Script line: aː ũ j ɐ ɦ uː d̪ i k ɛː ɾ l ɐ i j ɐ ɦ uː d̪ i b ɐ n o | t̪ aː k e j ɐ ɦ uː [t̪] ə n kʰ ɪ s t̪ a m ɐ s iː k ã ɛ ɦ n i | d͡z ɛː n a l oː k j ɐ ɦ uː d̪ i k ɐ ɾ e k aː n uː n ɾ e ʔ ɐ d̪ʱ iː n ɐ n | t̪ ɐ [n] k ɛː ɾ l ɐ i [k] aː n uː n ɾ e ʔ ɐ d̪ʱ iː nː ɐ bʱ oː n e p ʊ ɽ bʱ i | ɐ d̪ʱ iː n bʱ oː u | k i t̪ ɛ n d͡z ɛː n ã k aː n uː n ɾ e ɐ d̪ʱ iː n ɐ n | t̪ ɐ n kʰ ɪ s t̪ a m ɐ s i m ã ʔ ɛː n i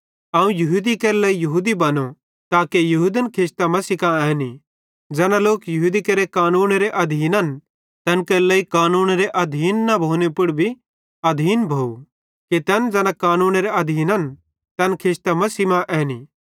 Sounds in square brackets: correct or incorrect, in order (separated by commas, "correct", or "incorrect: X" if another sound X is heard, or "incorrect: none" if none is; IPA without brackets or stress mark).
incorrect: d̪, correct, correct